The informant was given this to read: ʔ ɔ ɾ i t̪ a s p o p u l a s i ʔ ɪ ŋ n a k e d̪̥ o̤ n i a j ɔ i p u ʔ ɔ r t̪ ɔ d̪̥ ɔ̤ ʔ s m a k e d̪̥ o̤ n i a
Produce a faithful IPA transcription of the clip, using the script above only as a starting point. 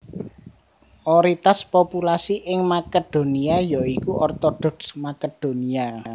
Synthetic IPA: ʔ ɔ ɾ i t̪ a s p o p u l a s i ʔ ɪ ŋ m a k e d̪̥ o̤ n i a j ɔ i k u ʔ ɔ r t̪ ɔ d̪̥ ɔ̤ k s m a k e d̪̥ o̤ n i a